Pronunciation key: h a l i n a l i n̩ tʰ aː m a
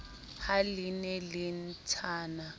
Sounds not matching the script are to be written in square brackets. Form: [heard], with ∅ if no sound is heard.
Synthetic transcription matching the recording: h a l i n [ɛ] l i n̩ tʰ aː [n] a